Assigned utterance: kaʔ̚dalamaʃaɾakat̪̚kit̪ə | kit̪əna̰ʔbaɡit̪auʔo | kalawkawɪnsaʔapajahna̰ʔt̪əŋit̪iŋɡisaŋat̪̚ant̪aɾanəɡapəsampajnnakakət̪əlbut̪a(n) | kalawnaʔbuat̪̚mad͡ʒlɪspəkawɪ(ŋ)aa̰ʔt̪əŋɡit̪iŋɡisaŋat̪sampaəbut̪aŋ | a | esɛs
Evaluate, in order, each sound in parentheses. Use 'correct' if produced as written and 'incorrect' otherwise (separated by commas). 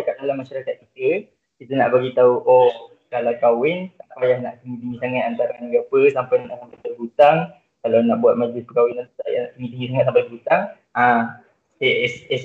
incorrect, incorrect